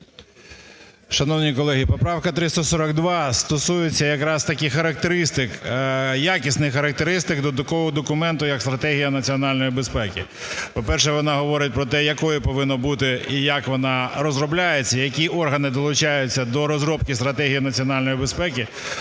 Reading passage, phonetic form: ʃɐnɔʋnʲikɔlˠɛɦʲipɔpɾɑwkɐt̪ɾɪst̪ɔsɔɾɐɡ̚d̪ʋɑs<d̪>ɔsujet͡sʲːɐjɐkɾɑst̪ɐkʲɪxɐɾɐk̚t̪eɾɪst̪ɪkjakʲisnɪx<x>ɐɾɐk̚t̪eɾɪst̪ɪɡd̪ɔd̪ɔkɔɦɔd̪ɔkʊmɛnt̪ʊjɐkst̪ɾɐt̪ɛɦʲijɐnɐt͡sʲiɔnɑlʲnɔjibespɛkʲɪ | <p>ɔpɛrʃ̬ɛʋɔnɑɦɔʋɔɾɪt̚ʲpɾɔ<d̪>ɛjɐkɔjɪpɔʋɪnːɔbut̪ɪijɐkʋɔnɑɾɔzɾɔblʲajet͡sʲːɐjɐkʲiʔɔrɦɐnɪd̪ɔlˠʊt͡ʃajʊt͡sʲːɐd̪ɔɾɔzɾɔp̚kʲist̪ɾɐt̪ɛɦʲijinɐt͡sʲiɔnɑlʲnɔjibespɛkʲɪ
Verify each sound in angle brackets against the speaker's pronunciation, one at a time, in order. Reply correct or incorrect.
incorrect, correct, correct, incorrect

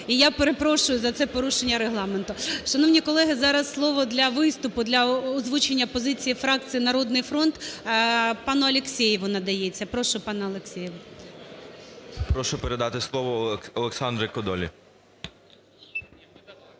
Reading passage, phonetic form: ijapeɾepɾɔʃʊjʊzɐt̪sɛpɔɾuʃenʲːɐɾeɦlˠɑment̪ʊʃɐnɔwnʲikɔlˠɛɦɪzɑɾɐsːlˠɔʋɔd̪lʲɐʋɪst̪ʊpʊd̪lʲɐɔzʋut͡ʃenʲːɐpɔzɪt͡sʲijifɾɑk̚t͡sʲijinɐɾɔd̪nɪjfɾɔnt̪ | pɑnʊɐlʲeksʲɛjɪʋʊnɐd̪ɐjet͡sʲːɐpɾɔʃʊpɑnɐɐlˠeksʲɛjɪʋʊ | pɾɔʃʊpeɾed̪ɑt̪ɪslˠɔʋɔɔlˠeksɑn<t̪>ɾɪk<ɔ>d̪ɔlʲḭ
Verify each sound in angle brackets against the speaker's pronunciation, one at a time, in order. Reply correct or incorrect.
incorrect, correct

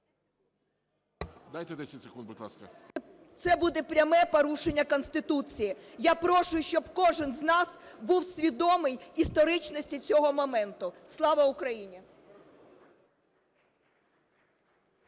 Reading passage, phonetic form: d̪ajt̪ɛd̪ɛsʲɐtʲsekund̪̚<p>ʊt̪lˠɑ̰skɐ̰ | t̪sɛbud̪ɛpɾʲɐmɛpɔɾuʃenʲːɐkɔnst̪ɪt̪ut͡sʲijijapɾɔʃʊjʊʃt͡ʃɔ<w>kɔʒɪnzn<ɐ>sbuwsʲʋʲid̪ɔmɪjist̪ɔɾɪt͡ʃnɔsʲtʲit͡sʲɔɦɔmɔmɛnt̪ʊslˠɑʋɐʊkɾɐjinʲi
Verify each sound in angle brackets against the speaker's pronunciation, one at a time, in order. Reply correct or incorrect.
incorrect, incorrect, incorrect

